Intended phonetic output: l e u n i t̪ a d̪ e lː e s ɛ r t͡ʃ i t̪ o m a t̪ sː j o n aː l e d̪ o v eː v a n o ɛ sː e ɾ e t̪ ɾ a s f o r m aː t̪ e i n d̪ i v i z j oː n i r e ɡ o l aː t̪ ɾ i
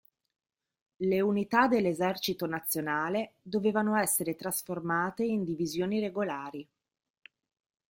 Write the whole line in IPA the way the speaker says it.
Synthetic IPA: l e u n i t̪ a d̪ e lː e z ɛ r t͡ʃ i t̪ o n a t̪ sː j o n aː l e d̪ o v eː v a n o ɛ sː e ɾ e t̪ ɾ a s f o r m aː t̪ e i n d̪ i v i z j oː n i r e ɡ o l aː ɾ i